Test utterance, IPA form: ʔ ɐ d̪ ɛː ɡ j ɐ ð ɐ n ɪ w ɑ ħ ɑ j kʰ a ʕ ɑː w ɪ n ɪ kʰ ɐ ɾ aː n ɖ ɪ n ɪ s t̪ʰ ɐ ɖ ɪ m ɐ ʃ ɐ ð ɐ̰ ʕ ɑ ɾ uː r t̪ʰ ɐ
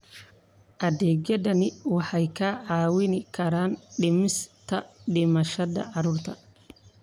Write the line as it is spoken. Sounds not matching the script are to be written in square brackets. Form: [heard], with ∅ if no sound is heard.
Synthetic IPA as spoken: ʔ ɐ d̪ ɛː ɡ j ɐ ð ɐ n ɪ w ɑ ħ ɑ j kʰ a ʕ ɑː w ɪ n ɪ kʰ ɐ ɾ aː n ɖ ɪ [m] ɪ s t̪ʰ ɐ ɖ ɪ m ɐ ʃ ɐ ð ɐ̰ ʕ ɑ ɾ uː r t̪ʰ ɐ